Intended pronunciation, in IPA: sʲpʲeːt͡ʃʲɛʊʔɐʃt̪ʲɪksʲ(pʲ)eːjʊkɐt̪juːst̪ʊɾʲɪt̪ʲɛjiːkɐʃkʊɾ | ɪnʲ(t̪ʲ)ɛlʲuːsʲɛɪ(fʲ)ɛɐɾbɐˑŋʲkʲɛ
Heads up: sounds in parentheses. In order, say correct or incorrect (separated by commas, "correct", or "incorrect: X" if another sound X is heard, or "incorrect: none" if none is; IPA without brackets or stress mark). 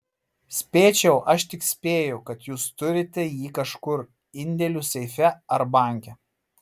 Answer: correct, incorrect: d̪ʲ, correct